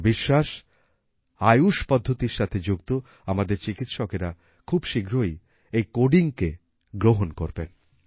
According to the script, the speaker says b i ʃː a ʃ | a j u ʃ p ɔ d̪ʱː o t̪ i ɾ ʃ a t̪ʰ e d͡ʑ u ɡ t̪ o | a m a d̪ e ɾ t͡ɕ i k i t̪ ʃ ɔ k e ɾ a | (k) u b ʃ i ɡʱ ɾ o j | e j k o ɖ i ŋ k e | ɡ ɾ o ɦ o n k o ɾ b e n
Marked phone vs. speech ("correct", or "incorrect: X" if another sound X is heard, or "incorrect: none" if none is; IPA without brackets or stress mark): incorrect: kʰ